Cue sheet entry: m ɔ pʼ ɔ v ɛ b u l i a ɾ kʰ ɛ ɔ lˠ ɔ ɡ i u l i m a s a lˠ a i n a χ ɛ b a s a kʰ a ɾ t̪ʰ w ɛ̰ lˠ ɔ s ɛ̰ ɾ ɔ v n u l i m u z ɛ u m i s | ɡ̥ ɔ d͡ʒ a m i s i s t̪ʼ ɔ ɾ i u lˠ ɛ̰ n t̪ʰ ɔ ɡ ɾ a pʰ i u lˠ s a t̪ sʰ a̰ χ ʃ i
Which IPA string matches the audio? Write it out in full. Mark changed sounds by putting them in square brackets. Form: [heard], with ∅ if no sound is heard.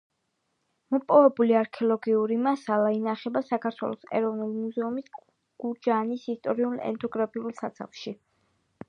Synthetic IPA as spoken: m ɔ pʼ ɔ v ɛ b u l i a ɾ kʰ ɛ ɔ lˠ ɔ ɡ i u [ɾ] i m a s a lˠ a i n a χ ɛ b a s a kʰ a ɾ t̪ʰ w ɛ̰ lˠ ɔ s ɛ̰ ɾ ɔ v n u l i m u z ɛ u m i s | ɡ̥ [u] d͡ʒ a [n] i s i s t̪ʼ ɔ ɾ i u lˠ ɛ̰ n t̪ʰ ɔ ɡ ɾ a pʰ i u lˠ s a t̪ sʰ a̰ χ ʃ i